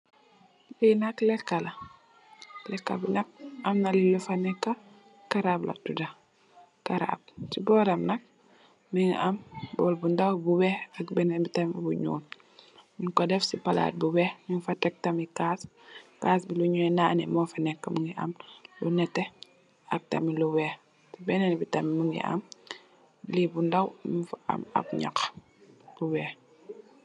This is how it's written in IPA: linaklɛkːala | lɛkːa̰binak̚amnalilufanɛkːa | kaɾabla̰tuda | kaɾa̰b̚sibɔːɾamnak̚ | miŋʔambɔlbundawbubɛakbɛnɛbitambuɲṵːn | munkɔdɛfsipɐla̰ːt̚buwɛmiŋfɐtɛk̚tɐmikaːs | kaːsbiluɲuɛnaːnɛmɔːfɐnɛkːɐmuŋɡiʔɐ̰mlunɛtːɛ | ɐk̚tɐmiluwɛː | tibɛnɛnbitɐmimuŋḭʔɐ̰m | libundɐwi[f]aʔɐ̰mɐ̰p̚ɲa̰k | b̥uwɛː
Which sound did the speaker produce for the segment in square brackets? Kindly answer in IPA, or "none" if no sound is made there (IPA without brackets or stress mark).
f